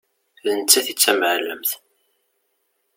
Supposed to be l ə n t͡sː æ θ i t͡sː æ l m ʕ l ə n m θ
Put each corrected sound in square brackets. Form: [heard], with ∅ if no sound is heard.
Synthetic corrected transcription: l ə n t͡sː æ θ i t͡sː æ [∅] m ʕ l ə [∅] m θ